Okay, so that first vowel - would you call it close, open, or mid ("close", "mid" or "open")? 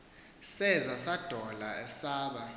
mid